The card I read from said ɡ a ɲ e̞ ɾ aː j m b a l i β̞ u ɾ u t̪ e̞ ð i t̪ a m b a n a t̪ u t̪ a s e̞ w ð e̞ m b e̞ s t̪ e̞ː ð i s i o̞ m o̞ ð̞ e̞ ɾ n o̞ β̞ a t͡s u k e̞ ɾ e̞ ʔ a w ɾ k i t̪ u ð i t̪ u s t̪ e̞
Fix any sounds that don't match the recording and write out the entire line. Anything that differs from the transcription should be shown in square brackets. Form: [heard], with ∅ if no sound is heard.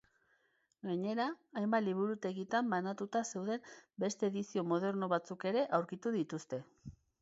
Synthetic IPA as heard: ɡ a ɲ e̞ ɾ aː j m b a l i β̞ u ɾ u t̪ e̞ [ɣ] i t̪ a m b a n a t̪ u t̪ a s e̞ w ð e̞ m b e̞ s t̪ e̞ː ð i s i o̞ m o̞ ð̞ e̞ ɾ n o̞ β̞ a t͡s u k e̞ ɾ e̞ ʔ a w ɾ k i t̪ u ð i t̪ u s t̪ e̞